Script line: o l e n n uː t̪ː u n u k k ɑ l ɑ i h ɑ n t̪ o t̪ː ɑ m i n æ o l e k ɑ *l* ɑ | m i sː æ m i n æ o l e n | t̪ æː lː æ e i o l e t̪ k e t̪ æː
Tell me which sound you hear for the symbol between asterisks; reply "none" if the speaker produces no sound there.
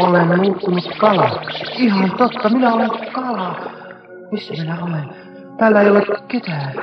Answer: l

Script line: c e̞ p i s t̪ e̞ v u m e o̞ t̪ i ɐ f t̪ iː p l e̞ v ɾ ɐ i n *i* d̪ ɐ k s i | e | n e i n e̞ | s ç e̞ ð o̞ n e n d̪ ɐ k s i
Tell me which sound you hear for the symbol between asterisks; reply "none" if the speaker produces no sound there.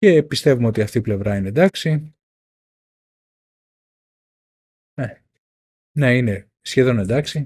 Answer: e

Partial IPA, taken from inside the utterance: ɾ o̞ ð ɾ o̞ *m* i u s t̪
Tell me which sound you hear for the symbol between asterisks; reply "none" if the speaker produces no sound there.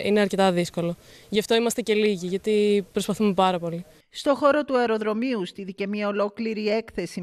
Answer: m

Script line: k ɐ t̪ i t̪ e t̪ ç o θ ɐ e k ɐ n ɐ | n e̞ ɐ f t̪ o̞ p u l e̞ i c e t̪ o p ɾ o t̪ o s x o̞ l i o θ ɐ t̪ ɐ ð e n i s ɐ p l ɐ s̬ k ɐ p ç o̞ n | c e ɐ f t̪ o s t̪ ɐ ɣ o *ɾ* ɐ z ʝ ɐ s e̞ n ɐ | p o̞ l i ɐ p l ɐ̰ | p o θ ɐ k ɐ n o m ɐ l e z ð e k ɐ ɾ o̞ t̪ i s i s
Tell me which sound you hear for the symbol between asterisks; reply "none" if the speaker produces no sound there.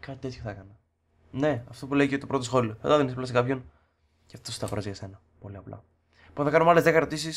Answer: ɾ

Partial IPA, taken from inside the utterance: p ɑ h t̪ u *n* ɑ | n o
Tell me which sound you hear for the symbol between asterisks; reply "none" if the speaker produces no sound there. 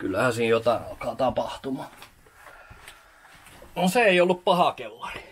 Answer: m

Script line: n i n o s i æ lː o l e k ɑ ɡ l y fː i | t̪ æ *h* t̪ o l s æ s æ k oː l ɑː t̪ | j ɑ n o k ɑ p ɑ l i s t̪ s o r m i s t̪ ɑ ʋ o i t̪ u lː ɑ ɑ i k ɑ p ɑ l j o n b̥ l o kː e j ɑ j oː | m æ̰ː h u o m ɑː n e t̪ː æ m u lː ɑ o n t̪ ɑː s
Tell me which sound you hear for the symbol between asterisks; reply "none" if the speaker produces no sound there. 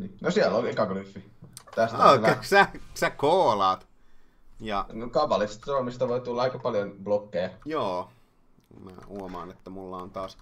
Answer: s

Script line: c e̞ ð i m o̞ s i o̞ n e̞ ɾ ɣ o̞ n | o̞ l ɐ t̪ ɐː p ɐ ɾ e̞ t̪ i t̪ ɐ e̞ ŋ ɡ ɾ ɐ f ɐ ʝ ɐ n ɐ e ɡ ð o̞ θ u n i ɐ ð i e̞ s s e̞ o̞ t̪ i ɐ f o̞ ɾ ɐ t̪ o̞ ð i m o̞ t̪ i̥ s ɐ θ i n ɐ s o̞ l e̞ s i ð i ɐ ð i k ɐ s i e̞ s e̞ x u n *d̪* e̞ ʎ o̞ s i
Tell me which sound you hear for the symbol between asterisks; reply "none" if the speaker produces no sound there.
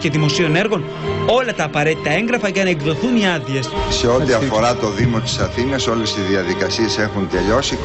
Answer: t̪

